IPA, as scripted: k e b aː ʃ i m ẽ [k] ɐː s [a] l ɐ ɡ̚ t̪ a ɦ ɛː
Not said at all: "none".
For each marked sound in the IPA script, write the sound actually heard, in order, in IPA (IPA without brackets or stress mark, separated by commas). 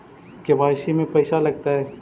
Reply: p, a